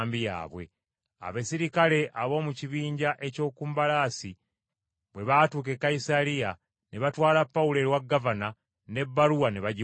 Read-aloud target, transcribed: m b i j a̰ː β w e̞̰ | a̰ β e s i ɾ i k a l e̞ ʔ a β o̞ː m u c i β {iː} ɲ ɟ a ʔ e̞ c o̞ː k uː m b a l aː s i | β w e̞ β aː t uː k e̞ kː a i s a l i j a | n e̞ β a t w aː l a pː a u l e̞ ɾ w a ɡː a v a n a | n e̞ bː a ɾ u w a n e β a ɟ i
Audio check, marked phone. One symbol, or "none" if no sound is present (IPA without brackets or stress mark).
iː